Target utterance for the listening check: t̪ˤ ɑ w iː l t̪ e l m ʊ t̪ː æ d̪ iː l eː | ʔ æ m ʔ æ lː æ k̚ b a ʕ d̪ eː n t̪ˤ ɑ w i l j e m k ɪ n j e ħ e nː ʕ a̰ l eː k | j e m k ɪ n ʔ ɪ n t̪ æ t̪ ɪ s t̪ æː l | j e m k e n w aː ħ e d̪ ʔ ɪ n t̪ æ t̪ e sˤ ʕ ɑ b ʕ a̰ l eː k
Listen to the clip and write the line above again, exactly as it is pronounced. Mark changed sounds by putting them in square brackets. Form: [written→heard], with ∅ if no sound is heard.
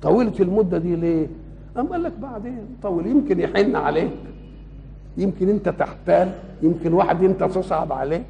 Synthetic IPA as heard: t̪ˤ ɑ w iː l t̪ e l m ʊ [t̪ː→d̪ː] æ d̪ iː l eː | ʔ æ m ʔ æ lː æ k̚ b a ʕ d̪ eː n t̪ˤ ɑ w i l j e m k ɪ n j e ħ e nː ʕ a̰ l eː k | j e m k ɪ n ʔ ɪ n t̪ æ t̪ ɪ [s→ħ] t̪ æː l | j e m k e n w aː ħ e d̪ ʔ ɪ n t̪ æ t̪ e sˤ ʕ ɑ b ʕ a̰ l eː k